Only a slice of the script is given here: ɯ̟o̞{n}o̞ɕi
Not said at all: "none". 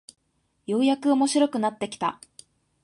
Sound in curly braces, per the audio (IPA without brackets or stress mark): m